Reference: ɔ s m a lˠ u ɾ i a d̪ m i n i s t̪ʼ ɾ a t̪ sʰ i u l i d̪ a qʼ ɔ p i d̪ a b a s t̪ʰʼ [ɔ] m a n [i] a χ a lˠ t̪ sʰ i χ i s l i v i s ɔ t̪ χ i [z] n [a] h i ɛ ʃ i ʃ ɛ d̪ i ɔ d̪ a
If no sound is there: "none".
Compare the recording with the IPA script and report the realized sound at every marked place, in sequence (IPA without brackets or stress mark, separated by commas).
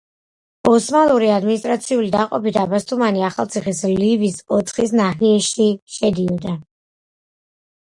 u, i, s, a